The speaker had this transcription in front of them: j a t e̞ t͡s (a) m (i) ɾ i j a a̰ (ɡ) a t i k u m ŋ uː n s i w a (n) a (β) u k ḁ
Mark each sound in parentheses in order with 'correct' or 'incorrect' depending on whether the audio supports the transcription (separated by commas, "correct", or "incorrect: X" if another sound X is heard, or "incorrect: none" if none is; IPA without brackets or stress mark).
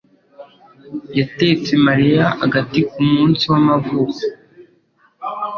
incorrect: e, incorrect: a, correct, incorrect: m, incorrect: v